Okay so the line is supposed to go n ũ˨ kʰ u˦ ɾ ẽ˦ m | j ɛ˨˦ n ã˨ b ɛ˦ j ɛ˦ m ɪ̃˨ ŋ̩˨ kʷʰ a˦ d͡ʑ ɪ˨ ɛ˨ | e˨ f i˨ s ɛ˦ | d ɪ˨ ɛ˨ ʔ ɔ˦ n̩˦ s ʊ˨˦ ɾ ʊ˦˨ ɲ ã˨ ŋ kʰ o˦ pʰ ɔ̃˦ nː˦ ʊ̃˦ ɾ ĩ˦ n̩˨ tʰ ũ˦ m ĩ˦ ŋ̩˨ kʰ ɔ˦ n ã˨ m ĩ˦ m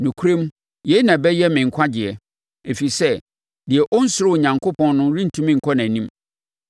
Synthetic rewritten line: n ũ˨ kʰ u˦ ɾ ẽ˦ m | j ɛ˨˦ n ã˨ b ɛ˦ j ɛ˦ m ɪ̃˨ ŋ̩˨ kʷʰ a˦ d͡ʑ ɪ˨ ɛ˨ | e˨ f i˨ s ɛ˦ | d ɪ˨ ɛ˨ ʔ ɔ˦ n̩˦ s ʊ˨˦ ɾ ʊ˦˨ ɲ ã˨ ŋ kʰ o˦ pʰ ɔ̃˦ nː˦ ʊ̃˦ ɾ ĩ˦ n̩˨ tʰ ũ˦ m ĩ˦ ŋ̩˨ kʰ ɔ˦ n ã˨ n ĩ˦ m

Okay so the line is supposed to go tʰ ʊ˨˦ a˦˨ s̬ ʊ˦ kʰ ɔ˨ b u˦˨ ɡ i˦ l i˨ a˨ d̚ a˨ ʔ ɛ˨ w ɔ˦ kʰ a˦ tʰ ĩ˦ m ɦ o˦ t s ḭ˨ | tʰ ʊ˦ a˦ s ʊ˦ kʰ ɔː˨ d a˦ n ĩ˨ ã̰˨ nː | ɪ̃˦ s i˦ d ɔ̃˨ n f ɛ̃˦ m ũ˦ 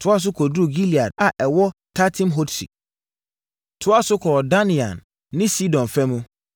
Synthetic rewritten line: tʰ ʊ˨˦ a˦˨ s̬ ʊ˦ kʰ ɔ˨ d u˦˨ ɡ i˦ l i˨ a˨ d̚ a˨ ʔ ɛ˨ w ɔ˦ tʰ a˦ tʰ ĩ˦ m ɦ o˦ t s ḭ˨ | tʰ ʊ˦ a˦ s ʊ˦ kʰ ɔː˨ d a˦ n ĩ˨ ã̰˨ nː | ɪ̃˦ s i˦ d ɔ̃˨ n f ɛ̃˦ m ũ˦

